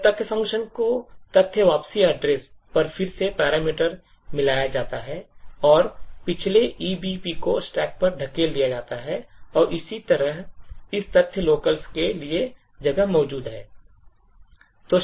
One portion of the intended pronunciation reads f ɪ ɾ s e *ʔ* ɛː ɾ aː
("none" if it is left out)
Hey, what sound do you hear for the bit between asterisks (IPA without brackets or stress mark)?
p